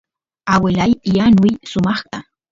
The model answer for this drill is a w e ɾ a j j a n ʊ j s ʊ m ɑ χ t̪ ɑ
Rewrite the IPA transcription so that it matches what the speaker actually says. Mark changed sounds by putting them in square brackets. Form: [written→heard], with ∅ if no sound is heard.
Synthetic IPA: a w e [ɾ→l] a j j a n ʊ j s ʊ m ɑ χ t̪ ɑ